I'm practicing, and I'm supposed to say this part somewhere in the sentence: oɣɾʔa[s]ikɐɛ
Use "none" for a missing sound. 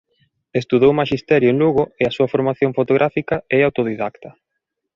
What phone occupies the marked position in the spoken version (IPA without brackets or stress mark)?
f